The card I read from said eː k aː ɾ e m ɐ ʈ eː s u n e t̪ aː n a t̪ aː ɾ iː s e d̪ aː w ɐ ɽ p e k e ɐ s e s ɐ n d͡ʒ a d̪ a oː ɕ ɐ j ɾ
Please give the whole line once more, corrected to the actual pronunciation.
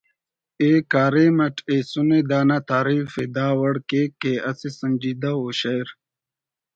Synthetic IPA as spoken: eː k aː ɾ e m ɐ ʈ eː s u n e d̪ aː n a t̪ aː ɾ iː f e d̪ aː w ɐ ɽ k e k e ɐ s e s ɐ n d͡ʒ i d̪ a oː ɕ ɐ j ɾ